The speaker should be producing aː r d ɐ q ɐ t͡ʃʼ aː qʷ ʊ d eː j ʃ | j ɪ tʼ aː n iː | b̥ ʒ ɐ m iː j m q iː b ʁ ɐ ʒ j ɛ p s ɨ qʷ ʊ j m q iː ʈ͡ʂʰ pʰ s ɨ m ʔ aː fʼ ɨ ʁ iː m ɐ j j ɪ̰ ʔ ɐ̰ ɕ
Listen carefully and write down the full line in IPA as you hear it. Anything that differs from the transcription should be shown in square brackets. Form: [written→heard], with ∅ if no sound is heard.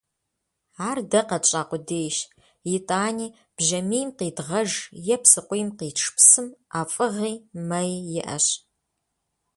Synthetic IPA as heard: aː r d ɐ q ɐ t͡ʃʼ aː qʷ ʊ d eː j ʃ | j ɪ tʼ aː n iː | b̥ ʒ ɐ m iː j m q iː [b→d] ʁ ɐ ʒ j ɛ p s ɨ qʷ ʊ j m q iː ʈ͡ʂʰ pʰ s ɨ m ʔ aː fʼ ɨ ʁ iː m ɐ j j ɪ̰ ʔ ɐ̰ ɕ